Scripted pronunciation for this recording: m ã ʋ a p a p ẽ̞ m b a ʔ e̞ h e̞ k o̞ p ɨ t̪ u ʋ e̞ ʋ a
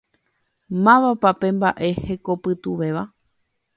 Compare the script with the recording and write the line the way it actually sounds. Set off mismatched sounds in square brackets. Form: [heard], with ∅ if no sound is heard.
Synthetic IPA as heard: m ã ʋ a p a p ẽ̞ m b a ʔ e̞ h e̞ k o̞ p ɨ t̪ u ʋ e̞ ʋ a